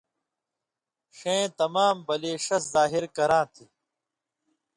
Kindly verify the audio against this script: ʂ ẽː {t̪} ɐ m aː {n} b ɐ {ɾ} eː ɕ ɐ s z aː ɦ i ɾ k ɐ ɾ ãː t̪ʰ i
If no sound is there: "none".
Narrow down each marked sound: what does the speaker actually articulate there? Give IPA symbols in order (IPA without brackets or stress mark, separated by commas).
t̪, m, l